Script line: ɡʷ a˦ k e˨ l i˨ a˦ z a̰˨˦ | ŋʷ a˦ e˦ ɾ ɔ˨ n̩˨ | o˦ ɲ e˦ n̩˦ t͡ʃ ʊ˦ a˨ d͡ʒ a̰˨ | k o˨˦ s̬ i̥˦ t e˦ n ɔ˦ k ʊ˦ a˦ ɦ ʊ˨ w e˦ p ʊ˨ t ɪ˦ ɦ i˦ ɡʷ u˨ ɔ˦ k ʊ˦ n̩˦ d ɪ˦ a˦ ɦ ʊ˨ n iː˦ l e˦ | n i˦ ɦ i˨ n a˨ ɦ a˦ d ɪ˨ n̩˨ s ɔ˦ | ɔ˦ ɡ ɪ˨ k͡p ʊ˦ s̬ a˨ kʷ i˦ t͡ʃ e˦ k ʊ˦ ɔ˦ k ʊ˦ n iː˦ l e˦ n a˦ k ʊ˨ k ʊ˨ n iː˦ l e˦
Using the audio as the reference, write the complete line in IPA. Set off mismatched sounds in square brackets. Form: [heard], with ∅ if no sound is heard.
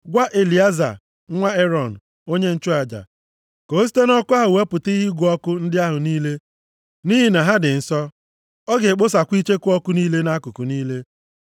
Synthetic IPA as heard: ɡʷ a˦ [ʔ] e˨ l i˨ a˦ z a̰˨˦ | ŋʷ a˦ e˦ ɾ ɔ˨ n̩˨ | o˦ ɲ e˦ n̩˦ t͡ʃ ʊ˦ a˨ d͡ʒ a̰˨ | k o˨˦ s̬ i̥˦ t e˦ n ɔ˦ k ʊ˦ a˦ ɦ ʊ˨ w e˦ p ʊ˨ t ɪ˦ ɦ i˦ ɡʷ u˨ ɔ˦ k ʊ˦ n̩˦ d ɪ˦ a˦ ɦ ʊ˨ n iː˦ l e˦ | n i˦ ɦ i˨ n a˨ ɦ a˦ d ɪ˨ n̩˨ s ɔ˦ | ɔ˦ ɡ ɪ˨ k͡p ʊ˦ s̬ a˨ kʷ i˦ t͡ʃ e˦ k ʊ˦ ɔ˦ k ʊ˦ n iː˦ l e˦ n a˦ k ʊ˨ k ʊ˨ n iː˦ l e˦